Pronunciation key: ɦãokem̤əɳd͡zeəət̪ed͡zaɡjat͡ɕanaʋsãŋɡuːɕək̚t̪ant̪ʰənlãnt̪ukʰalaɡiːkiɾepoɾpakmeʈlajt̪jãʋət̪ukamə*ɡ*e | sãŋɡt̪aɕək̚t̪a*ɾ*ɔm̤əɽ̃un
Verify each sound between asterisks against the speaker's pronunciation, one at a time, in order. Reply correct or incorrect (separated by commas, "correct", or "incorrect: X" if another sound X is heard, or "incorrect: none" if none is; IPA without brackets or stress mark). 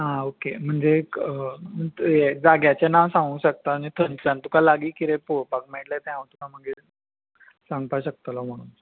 correct, incorrect: l